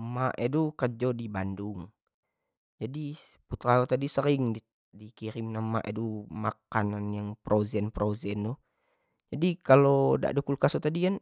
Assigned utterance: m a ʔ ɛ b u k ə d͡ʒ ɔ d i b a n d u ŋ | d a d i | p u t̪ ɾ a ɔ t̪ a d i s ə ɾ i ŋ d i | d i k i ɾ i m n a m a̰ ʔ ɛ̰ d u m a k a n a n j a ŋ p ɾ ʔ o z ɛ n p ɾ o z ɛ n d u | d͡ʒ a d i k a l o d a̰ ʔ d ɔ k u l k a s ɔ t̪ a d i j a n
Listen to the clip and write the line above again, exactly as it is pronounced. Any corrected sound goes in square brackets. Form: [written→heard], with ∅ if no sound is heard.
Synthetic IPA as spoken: m a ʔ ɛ [b→d] u k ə d͡ʒ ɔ d i b a n d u ŋ | [d→d͡ʒ] a d i | p u t̪ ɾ a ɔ t̪ a d i s ə ɾ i ŋ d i | d i k i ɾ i m n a m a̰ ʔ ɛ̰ d u m a k a n a n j a ŋ p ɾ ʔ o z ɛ n p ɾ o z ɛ n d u | d͡ʒ a d i k a l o d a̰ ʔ d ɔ k u l k a s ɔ t̪ a d i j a n

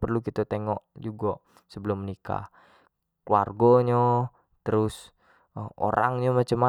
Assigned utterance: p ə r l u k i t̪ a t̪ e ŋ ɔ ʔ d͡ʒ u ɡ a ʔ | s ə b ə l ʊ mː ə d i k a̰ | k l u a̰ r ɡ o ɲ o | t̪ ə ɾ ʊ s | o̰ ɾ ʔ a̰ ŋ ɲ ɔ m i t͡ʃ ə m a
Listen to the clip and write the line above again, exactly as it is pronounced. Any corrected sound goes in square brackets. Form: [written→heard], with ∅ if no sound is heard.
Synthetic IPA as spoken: p ə r l u k i t̪ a t̪ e ŋ ɔ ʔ d͡ʒ u ɡ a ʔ | s ə b ə l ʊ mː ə [d→n] i k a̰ | k l u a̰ r ɡ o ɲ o | t̪ ə ɾ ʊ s | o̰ ɾ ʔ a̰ ŋ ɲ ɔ m [i→a] t͡ʃ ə m a

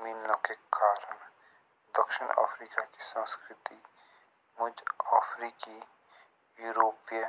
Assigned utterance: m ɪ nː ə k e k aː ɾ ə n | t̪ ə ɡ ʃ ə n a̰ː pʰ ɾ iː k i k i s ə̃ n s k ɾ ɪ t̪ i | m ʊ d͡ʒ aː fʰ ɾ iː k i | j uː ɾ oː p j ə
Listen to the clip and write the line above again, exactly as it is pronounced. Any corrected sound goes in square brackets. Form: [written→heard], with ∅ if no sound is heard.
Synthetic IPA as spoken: m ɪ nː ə k e k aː ɾ ə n | [t̪→d̪] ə [ɡ→k] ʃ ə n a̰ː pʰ ɾ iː k [i→a] k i s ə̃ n s k ɾ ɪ t̪ i | m ʊ d͡ʒ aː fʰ ɾ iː k i | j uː ɾ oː p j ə

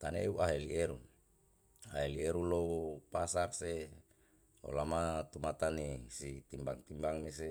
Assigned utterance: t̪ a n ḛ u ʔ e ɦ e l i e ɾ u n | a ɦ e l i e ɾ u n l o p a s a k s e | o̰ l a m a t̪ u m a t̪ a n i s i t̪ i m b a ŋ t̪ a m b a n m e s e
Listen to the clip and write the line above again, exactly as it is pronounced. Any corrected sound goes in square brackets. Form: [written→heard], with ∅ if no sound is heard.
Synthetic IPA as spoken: t̪ a n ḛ u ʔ [e→a] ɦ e l i e ɾ u n | a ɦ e l i e ɾ u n l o p a s a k s e | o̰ l a m a t̪ u m a t̪ a n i s i t̪ i m b a ŋ t̪ [a→i] m b a [n→ŋ] m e s e

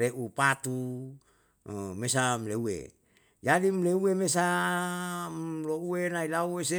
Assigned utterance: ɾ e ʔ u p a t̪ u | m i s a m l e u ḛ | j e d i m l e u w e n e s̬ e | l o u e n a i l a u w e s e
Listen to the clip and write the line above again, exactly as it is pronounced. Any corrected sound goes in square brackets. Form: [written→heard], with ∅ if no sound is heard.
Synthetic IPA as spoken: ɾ e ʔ u p a t̪ u | m [i→e] s a m l e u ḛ | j [e→a] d i m l e u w e [n→m] e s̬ [e→a] | l o u e n a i l a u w e s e

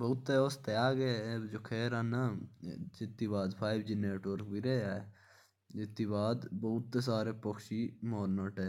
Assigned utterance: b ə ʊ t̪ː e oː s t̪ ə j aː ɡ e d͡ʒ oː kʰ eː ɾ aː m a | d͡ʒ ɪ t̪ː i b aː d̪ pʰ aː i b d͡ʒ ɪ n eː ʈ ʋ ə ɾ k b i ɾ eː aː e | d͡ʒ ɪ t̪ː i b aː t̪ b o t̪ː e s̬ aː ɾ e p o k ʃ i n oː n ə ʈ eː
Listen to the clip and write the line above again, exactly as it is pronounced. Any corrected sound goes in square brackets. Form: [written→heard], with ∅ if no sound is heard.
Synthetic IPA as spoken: b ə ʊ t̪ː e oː s t̪ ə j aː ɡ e d͡ʒ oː kʰ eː ɾ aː [m→n] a | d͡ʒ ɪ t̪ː i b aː d̪ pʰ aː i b d͡ʒ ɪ n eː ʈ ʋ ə ɾ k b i ɾ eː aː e | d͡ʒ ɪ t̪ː i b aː [t̪→d̪] b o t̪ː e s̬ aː ɾ e p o k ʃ i [n→m] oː n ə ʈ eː

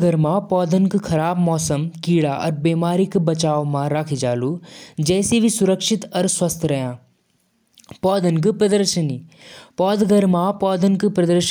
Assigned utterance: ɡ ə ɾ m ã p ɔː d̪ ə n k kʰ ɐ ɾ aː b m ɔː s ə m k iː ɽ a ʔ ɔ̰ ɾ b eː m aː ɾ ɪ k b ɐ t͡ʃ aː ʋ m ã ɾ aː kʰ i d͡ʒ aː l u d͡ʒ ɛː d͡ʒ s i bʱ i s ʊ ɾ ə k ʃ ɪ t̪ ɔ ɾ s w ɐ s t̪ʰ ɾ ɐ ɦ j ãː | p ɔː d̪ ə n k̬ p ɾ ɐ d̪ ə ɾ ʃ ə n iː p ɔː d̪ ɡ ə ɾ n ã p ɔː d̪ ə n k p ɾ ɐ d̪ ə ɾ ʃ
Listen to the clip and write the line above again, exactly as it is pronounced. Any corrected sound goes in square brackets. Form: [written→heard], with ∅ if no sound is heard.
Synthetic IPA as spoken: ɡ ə ɾ m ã p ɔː d̪ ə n k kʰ ɐ ɾ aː b m ɔː s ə m k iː ɽ a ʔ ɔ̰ ɾ b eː m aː ɾ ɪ k b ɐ t͡ʃ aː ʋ m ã ɾ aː kʰ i d͡ʒ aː l u d͡ʒ ɛː [d͡ʒ→∅] s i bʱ i s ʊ ɾ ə k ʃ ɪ t̪ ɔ ɾ s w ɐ s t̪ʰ ɾ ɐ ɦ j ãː | p ɔː d̪ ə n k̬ p ɾ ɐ d̪ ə ɾ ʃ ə n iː p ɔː d̪ ɡ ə ɾ [n→m] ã p ɔː d̪ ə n k p ɾ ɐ d̪ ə ɾ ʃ

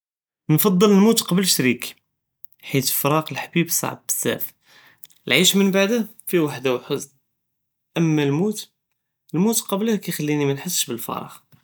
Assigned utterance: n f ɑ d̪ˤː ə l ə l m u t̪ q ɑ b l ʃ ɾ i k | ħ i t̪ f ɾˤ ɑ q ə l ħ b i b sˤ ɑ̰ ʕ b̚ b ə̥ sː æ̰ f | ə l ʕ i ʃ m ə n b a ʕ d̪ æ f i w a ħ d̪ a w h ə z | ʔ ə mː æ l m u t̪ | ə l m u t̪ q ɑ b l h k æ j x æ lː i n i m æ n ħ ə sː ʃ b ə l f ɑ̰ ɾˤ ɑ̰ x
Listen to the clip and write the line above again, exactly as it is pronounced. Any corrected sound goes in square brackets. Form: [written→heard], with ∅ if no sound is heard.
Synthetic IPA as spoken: n f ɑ d̪ˤː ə l ə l m u t̪ q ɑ b l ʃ ɾ i k | ħ i t̪ f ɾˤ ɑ q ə l ħ b i b sˤ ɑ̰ ʕ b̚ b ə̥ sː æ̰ f | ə l ʕ i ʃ m ə n b a ʕ d̪ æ f i w a ħ d̪ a w [h→ħ] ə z | ʔ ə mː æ l m u t̪ | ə l m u t̪ q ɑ b l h k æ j x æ lː i n i m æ n ħ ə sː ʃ b ə l f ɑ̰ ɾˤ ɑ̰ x

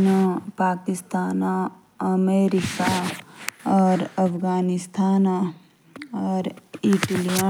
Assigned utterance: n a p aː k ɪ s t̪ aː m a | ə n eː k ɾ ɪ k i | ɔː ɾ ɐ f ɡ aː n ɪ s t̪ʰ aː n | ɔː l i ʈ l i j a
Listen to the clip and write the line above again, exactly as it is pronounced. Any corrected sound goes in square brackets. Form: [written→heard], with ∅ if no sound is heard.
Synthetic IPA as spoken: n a p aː k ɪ s t̪ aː [m→n] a | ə [n→m] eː [k→∅] ɾ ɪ k [i→a] | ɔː ɾ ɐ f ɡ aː n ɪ s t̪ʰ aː n | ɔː [l→ɾ] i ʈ l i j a

